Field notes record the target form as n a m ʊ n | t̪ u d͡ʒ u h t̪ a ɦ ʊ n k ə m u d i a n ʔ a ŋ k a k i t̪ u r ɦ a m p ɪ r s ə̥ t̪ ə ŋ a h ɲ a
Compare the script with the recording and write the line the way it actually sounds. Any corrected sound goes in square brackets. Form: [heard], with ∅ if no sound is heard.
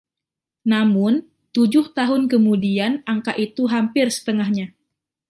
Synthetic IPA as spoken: n a m ʊ n | t̪ u d͡ʒ [ʊ] h t̪ a ɦ ʊ n k ə m u d i a n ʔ a ŋ k a [ʔ] i t̪ u [∅] ɦ a m p ɪ r s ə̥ t̪ ə ŋ a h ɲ a